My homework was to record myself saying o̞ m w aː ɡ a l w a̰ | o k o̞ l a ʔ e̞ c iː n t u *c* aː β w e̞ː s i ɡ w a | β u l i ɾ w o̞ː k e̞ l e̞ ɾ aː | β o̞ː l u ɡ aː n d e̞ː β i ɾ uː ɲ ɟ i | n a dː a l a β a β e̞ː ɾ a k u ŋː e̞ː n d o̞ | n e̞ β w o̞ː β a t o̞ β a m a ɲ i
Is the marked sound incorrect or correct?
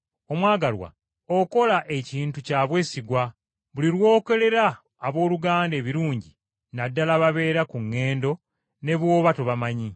correct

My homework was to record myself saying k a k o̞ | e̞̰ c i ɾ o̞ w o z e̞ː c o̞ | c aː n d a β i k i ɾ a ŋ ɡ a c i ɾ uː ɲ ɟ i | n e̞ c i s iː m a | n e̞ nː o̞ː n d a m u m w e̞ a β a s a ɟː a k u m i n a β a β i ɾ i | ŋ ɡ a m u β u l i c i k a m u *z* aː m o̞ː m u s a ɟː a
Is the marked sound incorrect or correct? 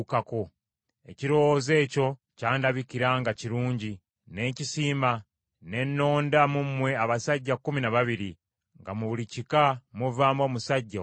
incorrect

